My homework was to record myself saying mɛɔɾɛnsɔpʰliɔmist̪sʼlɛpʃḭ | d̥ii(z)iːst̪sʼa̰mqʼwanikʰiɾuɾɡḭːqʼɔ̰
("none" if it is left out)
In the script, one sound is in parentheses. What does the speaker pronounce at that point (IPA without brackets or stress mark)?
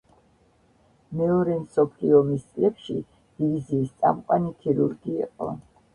z